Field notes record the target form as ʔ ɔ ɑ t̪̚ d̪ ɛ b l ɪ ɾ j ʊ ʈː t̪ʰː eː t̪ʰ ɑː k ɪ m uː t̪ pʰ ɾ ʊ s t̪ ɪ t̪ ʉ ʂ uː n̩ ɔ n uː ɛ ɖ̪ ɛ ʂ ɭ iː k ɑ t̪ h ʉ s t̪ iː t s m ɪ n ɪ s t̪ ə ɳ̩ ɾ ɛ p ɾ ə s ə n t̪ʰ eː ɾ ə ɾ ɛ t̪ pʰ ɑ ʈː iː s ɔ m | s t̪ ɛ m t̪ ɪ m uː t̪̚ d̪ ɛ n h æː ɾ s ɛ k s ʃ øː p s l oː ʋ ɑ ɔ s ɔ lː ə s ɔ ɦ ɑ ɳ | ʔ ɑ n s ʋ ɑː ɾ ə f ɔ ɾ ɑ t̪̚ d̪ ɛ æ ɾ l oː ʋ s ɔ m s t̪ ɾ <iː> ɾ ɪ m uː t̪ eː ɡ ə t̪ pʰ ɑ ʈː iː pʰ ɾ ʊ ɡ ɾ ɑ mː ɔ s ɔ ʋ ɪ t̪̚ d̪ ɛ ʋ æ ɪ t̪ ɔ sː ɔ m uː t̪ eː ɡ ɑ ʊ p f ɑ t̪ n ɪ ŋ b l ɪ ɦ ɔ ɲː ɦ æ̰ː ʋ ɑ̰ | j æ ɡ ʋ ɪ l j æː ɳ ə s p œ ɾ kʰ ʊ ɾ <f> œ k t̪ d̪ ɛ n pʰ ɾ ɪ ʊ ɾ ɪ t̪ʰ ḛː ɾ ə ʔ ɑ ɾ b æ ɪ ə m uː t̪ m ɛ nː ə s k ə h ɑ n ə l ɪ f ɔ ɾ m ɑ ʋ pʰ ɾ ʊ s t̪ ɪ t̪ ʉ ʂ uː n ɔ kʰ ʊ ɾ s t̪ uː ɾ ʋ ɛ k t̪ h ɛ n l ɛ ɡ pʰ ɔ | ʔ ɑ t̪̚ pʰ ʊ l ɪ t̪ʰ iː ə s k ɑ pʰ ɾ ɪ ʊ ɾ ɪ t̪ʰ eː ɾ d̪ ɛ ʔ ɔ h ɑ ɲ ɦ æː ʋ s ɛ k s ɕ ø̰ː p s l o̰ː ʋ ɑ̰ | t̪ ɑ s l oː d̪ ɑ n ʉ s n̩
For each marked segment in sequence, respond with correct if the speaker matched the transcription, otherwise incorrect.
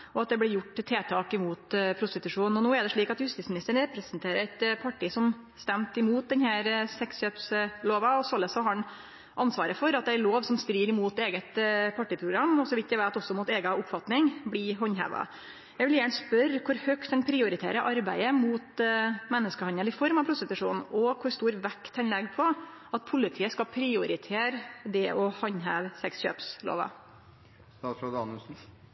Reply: correct, incorrect

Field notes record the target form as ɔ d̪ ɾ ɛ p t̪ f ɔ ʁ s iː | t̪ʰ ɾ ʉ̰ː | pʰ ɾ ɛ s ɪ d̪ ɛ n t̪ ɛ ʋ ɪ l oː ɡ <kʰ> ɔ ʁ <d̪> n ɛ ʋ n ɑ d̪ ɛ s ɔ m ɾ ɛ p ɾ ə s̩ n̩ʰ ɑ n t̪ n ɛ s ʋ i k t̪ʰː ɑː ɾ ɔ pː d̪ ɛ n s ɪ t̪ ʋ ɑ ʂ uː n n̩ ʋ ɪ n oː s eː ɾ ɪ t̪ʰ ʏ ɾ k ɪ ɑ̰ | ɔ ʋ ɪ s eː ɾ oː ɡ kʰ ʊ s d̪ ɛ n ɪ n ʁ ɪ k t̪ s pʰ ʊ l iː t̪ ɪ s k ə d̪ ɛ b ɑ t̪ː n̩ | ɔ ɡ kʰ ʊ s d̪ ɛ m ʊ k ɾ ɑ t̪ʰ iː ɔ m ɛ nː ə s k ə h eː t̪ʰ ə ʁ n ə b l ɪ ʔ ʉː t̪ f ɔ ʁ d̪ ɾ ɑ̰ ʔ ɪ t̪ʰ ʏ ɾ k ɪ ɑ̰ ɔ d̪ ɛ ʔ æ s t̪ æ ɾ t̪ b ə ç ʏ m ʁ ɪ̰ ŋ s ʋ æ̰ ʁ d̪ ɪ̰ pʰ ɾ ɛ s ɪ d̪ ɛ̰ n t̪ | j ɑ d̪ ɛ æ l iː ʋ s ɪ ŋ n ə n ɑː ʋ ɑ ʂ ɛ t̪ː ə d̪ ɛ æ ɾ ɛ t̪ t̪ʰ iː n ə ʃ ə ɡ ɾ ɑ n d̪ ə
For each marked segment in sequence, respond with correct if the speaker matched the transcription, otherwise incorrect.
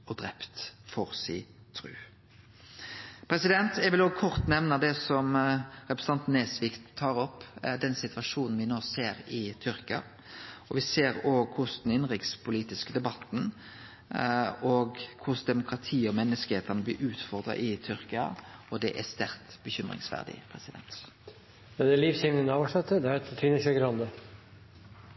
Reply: correct, incorrect

